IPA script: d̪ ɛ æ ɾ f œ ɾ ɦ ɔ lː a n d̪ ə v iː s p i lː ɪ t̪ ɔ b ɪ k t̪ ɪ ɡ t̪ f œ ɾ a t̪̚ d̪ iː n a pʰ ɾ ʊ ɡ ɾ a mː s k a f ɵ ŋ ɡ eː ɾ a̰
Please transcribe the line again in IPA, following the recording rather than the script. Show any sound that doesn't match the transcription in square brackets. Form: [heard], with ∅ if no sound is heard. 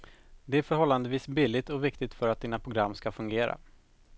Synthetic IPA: d̪ ɛ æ ɾ f œ ɾ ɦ ɔ lː a n d̪ ə v iː s [b] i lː ɪ t̪ ɔ [v] ɪ k t̪ ɪ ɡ t̪ f œ ɾ a t̪̚ d̪ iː n a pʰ ɾ ʊ ɡ ɾ a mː s k a f ɵ ŋ ɡ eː ɾ a̰